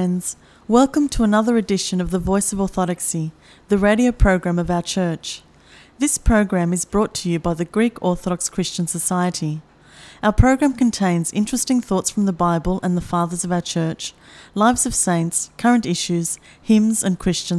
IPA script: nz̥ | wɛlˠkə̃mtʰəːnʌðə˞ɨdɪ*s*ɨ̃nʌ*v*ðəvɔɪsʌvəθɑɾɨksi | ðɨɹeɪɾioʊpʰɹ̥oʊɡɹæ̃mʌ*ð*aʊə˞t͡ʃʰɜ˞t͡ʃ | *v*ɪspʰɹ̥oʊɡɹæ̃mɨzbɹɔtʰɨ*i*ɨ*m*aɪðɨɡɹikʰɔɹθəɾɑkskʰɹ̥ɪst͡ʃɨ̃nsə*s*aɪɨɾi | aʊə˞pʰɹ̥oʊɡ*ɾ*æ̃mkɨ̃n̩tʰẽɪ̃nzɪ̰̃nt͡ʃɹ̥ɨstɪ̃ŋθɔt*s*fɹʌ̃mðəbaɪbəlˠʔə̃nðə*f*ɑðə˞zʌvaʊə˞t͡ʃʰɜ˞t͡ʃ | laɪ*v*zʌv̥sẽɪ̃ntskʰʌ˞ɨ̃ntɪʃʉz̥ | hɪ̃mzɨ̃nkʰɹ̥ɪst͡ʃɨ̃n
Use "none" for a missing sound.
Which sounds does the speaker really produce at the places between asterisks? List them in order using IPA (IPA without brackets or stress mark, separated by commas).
ʃ, v, v, ð, j, b, s, ɹ, s, f, v